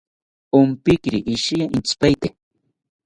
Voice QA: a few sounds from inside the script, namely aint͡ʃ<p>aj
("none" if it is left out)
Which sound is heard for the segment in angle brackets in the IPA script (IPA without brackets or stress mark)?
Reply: p